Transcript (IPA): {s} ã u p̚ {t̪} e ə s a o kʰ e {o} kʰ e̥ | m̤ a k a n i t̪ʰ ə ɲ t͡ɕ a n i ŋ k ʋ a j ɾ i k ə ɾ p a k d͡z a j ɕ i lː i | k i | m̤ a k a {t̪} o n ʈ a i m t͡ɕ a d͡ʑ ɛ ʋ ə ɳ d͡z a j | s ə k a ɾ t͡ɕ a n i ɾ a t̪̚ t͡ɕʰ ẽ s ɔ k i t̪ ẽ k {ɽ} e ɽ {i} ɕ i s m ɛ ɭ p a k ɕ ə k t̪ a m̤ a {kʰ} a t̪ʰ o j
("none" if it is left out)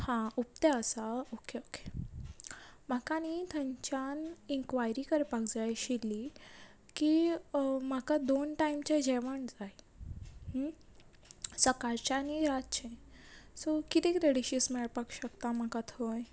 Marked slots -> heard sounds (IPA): h, t̪, o, d̪, ɾ, i, k

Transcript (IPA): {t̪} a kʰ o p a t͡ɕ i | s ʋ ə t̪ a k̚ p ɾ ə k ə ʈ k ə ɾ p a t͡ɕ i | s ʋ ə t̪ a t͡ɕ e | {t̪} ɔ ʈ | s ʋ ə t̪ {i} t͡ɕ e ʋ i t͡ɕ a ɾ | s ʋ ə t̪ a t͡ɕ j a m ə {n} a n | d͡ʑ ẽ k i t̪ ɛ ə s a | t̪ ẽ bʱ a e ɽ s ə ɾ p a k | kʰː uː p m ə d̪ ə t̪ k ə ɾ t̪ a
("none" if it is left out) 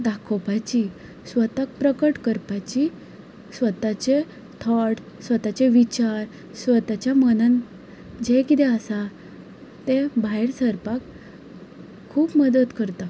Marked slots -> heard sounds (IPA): d̪, t̪ʰ, a, n

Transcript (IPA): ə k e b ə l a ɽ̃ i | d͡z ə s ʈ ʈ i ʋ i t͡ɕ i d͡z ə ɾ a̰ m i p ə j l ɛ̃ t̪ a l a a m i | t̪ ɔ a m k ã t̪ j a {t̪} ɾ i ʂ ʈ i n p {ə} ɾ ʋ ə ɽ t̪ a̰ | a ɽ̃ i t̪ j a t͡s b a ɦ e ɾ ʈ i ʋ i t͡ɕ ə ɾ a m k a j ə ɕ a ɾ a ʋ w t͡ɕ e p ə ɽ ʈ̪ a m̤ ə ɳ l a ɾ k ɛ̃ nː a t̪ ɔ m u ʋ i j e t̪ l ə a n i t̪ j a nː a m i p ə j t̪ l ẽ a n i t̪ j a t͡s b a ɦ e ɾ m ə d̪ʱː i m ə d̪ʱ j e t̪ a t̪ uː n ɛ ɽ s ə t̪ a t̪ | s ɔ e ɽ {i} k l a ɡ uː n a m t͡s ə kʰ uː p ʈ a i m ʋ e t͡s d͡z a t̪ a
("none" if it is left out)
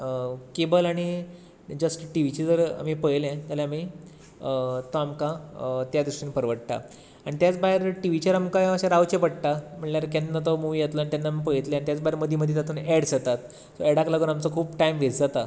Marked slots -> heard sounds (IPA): d̪, ə, a

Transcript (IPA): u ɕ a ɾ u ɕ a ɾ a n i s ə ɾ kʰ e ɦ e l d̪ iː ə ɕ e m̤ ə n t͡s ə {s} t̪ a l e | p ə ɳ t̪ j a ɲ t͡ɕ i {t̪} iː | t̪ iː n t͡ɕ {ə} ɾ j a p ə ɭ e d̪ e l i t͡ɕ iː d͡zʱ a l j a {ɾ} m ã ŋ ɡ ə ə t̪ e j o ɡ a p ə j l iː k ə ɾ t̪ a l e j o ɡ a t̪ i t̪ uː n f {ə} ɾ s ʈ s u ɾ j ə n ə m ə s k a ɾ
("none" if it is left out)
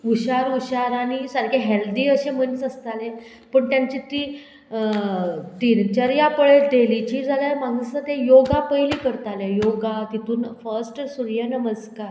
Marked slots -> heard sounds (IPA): s, t̪, ə, ɾ, ə

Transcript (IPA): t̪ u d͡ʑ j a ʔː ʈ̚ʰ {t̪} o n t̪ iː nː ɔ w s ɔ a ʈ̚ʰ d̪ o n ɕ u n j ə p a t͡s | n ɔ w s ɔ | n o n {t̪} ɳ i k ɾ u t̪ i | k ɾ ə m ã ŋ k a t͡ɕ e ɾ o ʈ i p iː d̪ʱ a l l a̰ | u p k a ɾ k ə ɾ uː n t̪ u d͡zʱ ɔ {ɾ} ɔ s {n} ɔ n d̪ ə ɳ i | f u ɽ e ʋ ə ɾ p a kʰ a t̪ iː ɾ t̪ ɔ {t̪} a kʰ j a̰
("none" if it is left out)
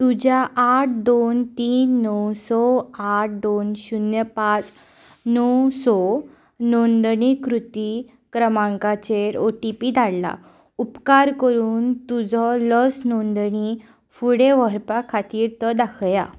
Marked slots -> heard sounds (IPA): d̪, d̪, l, n, d̪

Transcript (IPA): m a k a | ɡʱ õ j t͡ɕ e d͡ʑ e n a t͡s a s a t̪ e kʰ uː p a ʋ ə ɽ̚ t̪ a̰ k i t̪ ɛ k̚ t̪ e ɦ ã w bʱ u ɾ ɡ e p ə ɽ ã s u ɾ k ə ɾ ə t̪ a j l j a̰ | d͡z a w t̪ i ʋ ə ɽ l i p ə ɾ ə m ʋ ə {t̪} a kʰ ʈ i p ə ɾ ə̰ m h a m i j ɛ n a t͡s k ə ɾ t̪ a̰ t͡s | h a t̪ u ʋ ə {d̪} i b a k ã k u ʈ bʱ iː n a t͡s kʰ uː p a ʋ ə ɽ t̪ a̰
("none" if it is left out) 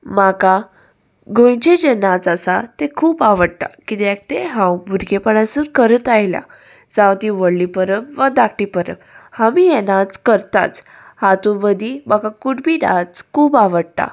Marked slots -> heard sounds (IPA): d̪, d̪

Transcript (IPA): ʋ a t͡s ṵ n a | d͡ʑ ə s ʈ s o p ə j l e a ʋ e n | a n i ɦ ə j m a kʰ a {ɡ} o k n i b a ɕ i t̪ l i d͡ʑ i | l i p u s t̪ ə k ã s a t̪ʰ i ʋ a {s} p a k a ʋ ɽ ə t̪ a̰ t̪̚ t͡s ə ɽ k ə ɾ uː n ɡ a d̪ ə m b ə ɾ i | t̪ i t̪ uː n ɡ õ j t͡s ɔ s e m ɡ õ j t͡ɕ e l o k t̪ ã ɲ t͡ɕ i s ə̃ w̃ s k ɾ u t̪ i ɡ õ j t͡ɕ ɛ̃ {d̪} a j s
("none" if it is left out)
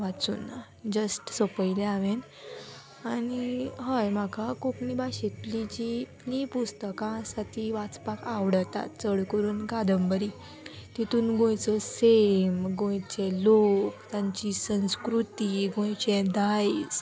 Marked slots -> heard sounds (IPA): k, t͡s, d̪

